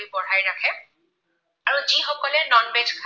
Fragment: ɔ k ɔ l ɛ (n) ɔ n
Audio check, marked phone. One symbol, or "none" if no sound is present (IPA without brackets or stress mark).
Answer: n